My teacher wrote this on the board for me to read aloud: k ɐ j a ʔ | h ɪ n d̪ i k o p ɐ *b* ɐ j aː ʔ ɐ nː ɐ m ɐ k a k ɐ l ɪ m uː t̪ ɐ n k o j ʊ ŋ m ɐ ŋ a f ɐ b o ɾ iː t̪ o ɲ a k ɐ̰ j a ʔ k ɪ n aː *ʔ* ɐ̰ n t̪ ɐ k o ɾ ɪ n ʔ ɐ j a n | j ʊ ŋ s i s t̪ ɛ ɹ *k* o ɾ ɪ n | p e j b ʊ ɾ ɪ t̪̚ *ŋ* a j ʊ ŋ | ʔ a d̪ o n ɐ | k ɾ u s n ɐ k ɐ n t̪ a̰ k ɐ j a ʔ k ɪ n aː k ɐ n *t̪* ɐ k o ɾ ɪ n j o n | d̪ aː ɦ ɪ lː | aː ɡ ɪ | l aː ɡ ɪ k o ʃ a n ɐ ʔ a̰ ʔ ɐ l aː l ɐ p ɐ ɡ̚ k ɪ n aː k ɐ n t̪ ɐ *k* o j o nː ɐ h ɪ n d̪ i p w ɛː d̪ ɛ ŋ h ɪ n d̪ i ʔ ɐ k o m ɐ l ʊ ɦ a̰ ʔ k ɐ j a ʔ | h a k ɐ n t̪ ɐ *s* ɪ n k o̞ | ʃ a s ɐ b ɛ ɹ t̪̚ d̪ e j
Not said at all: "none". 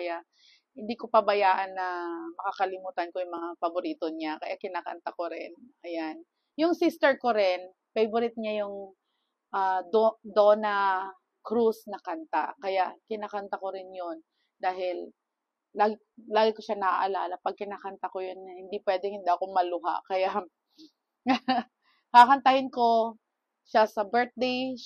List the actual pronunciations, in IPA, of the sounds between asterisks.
b, k, k, ɲ, t̪, k, h

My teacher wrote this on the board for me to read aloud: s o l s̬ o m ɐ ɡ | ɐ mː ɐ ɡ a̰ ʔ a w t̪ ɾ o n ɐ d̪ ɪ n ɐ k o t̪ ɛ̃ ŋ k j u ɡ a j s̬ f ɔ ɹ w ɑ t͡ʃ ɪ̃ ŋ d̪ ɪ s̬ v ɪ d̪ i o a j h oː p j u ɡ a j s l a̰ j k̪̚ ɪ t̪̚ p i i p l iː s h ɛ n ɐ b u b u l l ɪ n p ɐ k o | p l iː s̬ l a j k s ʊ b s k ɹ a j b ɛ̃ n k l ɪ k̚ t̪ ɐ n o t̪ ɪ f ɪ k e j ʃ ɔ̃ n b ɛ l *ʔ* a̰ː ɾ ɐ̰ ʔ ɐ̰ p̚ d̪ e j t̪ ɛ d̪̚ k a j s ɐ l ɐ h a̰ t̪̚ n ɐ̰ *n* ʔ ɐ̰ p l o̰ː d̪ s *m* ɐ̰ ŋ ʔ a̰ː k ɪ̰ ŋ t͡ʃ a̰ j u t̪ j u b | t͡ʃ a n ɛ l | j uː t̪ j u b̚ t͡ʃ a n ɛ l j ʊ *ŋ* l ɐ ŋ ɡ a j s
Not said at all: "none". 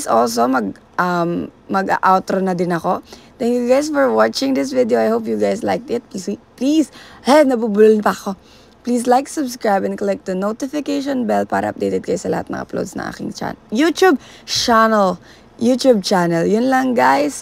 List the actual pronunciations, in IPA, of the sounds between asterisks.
p, ŋ, n, n

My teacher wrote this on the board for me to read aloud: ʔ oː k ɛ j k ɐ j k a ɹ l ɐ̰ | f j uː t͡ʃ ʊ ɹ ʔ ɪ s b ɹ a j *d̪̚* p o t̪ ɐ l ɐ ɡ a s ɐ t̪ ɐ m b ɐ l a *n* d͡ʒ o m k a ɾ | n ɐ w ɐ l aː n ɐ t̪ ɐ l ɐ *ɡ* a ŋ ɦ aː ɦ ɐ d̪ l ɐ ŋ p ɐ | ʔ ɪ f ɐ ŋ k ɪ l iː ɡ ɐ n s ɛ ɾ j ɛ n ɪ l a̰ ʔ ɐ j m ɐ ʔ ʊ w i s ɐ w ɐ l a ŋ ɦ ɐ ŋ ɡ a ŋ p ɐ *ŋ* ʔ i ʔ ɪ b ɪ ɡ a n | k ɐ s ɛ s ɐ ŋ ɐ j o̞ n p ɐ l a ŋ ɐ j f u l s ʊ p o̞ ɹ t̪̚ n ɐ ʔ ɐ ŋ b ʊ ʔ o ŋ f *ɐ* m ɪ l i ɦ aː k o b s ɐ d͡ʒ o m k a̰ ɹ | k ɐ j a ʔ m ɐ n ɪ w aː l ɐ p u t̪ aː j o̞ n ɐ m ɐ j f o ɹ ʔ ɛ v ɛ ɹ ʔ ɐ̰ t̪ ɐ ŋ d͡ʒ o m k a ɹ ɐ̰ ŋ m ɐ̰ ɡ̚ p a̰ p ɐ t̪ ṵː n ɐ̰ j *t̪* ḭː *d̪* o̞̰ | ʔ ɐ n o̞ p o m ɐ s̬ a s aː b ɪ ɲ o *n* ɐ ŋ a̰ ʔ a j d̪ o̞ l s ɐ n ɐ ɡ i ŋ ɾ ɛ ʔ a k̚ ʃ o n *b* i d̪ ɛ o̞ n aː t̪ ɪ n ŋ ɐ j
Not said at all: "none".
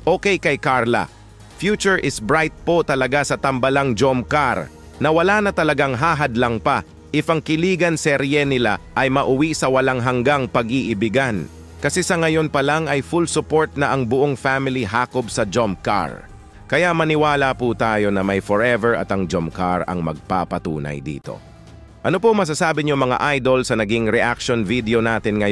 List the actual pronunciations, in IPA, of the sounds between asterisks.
t̪̚, ŋ, ɡ, ɡ, a, d̪, t̪, m, v

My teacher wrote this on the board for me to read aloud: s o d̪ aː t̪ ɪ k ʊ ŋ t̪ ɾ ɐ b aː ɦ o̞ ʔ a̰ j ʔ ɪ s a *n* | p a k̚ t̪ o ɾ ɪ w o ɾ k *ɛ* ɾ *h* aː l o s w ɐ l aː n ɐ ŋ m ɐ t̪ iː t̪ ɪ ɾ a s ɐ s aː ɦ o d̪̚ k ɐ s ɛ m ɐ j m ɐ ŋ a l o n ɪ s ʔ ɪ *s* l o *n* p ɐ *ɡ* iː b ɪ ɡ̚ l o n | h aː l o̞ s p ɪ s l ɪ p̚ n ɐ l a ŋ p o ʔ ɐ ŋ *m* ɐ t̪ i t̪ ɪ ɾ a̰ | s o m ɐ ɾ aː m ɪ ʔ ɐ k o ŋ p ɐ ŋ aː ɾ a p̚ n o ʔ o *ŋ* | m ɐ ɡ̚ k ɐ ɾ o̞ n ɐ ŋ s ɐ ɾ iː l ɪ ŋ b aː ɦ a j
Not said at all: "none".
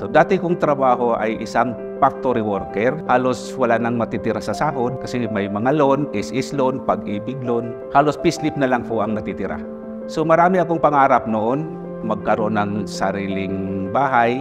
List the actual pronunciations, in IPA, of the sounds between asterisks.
ŋ, ɛ, h, s, n, ɡ, n, n

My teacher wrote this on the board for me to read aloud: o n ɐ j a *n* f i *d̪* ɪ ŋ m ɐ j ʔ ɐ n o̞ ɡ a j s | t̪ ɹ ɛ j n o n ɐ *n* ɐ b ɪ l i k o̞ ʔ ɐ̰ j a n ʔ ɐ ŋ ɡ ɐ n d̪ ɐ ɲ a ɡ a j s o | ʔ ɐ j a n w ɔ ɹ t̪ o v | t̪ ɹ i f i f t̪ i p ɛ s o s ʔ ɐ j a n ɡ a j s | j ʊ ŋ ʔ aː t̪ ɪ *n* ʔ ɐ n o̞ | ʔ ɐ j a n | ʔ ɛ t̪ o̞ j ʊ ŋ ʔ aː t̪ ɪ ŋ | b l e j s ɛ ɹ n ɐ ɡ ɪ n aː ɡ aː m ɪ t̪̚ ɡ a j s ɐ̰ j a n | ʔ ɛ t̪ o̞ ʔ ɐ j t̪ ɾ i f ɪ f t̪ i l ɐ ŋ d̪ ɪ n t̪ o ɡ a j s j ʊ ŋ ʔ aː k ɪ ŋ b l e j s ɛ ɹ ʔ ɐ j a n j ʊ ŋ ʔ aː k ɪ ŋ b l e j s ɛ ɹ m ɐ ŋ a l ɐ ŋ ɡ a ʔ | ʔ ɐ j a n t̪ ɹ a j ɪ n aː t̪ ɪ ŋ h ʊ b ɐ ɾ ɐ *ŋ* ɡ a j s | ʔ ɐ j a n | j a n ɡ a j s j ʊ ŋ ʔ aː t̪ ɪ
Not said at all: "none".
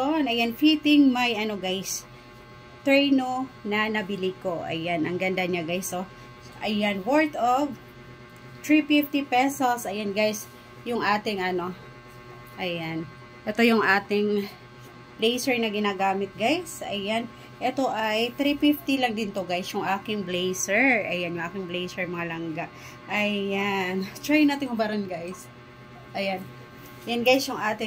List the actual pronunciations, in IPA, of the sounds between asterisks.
n, t̪, n, ŋ, n

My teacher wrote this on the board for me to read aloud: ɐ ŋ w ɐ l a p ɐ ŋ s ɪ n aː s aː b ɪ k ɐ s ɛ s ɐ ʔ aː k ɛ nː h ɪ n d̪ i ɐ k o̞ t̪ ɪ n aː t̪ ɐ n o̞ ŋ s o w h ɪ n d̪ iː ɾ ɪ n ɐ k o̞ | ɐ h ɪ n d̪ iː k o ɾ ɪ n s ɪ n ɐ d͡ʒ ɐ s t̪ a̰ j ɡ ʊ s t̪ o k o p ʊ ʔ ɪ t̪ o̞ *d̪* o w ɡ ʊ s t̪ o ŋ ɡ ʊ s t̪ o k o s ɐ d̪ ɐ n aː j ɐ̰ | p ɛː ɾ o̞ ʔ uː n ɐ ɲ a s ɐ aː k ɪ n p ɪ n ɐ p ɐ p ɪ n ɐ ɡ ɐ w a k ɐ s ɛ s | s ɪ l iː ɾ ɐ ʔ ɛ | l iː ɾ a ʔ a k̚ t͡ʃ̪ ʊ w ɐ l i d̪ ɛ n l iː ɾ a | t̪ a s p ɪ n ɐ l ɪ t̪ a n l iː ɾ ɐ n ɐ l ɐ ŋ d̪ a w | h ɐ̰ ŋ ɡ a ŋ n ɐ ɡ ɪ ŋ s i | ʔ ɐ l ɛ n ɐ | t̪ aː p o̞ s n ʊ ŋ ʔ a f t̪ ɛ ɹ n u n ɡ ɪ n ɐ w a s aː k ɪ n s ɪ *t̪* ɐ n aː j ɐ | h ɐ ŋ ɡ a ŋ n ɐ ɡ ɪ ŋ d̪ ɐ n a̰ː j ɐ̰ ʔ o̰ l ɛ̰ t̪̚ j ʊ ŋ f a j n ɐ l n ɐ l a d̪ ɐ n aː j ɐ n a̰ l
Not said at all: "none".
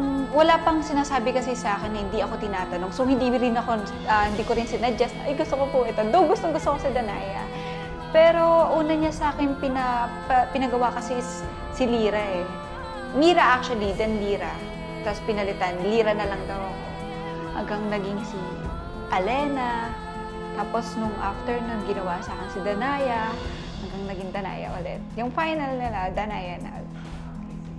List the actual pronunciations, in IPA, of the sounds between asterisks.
d̪, d̪

